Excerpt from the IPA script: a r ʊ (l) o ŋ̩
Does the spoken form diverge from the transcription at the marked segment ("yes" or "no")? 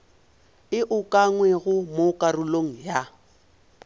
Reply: no